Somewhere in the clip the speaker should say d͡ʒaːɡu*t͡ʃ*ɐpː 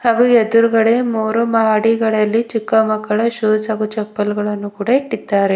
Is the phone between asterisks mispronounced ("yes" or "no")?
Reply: no